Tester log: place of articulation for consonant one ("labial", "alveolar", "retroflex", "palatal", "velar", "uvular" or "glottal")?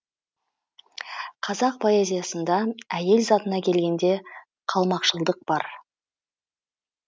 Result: uvular